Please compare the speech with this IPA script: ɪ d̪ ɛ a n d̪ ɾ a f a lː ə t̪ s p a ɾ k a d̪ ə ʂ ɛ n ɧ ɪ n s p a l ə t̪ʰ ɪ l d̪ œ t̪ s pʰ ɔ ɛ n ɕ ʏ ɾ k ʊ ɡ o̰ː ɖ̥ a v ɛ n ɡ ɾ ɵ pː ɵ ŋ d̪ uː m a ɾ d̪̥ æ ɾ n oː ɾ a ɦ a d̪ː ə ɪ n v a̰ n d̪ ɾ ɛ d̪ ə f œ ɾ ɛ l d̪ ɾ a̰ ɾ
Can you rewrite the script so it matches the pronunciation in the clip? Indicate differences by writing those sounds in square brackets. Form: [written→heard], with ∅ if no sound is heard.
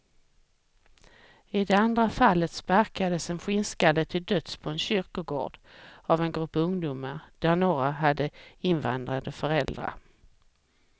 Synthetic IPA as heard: ɪ d̪ ɛ a n d̪ ɾ a f a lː ə t̪ s p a ɾ k a d̪ ə [ʂ→s] ɛ n ɧ ɪ n s [p→k] a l ə t̪ʰ ɪ l d̪ œ t̪ s pʰ ɔ ɛ n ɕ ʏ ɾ k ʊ ɡ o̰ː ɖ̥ a v ɛ n ɡ ɾ ɵ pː ɵ ŋ d̪ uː m a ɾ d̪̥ æ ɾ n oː ɾ a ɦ a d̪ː ə ɪ n v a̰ n d̪ ɾ [ɛ→a] d̪ ə f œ ɾ ɛ l d̪ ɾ a̰ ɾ